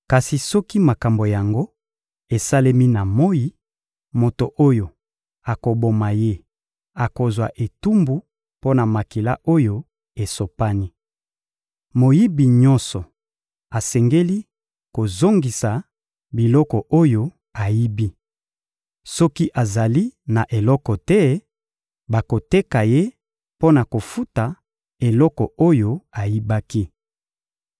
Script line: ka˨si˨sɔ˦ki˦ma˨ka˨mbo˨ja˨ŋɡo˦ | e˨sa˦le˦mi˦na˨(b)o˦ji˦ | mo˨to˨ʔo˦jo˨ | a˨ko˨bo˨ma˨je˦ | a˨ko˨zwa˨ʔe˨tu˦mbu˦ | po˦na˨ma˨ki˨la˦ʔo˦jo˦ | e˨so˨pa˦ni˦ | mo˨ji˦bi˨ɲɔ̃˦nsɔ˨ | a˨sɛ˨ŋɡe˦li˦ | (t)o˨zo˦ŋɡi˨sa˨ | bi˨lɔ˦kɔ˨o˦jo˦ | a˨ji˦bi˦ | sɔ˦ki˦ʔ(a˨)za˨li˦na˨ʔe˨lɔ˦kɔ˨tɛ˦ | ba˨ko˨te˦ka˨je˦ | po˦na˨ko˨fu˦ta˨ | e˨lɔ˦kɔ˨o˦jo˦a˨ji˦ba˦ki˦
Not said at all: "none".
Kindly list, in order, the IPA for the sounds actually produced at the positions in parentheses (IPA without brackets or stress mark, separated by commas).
m, k, a˨